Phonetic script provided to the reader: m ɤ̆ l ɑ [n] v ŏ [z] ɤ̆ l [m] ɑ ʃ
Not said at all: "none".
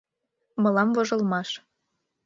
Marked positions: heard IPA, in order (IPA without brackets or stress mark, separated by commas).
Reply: m, ʒ, m